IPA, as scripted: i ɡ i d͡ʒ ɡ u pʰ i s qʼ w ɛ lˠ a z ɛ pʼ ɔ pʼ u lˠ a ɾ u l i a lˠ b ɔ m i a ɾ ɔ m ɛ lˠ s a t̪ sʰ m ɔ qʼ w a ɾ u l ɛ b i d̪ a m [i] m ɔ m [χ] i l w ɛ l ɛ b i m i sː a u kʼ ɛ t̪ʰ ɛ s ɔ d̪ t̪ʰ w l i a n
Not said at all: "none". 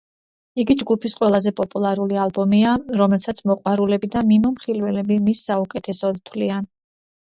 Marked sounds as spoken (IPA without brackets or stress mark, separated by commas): i, χ